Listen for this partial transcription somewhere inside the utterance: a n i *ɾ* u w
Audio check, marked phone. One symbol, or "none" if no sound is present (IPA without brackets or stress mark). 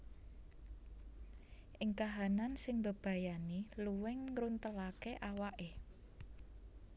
l